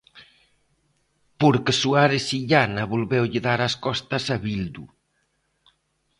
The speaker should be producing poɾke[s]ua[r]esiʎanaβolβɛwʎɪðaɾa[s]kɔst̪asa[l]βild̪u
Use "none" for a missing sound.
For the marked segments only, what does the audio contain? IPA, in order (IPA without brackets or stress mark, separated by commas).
s, ɾ, s, none